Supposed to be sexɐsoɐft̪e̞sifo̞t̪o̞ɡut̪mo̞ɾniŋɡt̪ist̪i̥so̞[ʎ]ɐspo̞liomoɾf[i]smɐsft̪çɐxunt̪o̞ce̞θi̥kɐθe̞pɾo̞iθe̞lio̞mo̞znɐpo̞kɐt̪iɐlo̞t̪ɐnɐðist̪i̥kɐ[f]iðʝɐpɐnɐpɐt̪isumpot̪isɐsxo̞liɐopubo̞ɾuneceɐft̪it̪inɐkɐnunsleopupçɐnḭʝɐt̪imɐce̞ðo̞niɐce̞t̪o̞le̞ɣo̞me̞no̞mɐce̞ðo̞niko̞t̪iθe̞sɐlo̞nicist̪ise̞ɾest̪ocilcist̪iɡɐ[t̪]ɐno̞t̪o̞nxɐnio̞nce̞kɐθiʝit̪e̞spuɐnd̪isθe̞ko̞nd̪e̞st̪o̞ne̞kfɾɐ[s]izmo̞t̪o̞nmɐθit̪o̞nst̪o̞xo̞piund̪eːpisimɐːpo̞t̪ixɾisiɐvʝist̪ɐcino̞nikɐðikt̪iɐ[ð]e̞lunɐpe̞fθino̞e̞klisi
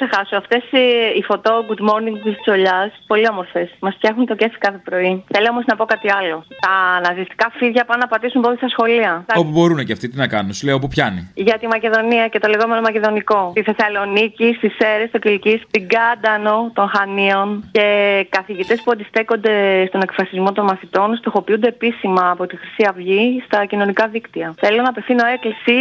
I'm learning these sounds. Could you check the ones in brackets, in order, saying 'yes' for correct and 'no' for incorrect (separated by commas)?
yes, no, yes, no, yes, no